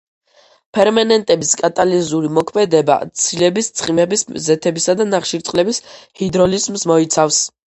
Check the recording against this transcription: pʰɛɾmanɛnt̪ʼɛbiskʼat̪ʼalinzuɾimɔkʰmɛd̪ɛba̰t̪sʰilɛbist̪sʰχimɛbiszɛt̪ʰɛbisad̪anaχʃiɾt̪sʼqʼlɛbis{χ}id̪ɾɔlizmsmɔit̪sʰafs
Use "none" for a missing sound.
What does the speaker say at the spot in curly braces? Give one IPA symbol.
h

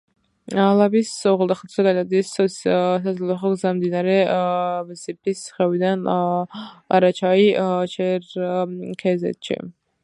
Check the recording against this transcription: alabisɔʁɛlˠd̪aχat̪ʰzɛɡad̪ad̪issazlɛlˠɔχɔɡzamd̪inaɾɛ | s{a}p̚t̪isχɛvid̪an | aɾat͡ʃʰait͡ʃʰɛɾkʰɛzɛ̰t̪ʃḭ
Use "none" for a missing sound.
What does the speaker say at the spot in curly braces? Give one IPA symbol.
i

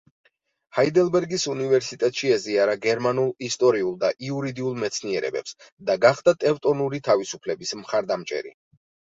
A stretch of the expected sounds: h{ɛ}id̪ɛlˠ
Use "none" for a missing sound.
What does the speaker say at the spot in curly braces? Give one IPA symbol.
a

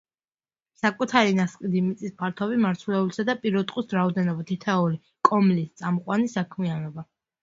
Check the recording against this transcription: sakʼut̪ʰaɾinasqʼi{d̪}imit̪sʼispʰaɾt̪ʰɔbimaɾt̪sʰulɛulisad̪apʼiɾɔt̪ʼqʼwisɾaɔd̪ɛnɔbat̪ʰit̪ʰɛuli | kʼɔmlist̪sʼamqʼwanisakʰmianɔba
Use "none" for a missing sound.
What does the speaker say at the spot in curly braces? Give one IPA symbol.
d̪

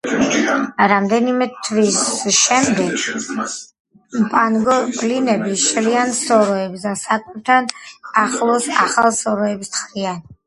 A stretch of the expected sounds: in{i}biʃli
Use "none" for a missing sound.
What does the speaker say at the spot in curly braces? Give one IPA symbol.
ɛ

